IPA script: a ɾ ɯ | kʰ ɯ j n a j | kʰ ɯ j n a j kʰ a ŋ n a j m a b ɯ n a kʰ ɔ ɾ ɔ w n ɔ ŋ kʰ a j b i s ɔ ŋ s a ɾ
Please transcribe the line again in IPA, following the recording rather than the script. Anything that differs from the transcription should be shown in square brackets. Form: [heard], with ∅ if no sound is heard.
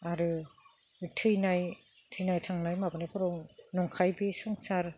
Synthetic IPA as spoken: a ɾ ɯ | [tʰ] ɯ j n a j | [tʰ] ɯ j n a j [tʰ] a ŋ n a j m a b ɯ n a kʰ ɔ ɾ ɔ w n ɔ ŋ kʰ a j b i s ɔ ŋ s a ɾ